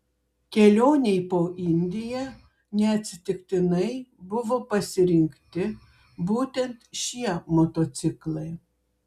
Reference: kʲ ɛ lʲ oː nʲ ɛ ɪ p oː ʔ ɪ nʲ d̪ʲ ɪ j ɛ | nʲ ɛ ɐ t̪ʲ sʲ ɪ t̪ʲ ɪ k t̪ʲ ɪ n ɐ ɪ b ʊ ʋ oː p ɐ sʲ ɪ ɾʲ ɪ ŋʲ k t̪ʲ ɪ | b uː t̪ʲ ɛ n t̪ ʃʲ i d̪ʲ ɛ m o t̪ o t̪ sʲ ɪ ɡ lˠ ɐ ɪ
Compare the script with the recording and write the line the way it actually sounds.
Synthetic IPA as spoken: kʲ ɛ lʲ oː nʲ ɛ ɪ p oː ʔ ɪ nʲ d̪ʲ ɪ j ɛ | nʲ ɛ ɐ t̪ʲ sʲ ɪ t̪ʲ ɪ k t̪ʲ ɪ n ɐ ɪ b ʊ ʋ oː p ɐ sʲ ɪ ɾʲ ɪ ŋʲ k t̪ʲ ɪ | b uː t̪ʲ ɛ n t̪ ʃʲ i ɛ m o t̪ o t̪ sʲ ɪ k lˠ ɐ ɪ